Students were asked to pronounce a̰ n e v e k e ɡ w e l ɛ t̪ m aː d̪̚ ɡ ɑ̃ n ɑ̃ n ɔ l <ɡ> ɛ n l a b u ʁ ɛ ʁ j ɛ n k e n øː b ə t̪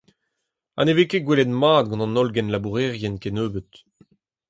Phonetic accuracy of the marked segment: correct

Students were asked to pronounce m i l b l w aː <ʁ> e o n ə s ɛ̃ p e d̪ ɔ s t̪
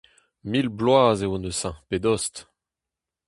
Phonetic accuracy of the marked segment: incorrect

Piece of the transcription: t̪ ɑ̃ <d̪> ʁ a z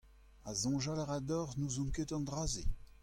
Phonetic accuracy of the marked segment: correct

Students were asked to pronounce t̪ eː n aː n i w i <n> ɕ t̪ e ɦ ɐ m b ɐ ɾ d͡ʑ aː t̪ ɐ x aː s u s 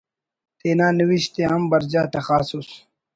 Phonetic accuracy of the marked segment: incorrect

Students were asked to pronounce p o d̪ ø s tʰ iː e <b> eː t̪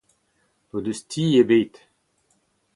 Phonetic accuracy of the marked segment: correct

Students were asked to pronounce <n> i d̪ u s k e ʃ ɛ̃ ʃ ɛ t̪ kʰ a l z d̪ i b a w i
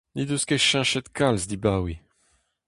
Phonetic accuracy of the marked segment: correct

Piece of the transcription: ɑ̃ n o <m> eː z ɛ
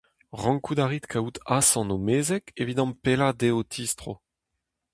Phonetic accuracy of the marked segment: correct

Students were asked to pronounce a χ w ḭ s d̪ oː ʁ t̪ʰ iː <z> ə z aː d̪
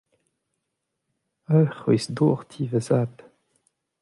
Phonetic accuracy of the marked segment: incorrect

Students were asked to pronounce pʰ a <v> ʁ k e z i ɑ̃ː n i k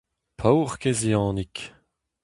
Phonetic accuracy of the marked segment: incorrect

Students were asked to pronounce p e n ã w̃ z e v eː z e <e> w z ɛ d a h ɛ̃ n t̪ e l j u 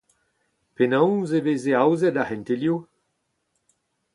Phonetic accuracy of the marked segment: incorrect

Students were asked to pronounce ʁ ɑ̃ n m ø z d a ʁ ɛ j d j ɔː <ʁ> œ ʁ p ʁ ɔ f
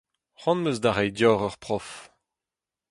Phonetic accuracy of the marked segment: correct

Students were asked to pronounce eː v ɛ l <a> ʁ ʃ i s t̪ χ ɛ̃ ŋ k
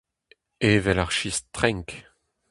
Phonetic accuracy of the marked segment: correct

